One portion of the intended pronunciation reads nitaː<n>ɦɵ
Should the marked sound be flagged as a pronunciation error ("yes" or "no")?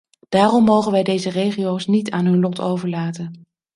no